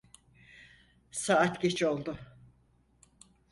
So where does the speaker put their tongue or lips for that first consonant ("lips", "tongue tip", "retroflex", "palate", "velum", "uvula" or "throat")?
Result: tongue tip